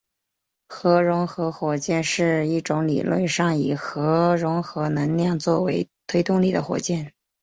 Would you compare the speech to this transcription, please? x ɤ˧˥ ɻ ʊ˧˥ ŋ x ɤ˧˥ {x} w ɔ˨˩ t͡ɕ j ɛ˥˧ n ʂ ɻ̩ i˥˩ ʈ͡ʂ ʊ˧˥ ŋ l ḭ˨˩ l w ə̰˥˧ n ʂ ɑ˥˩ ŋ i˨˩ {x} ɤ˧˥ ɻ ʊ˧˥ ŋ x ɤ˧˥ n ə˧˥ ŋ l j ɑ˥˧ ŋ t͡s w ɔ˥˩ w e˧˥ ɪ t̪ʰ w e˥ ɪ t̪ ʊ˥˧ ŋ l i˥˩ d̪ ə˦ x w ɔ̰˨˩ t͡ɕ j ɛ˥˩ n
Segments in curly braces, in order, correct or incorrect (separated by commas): correct, correct